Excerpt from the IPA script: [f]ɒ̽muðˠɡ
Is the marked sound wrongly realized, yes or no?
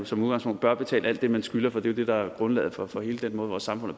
yes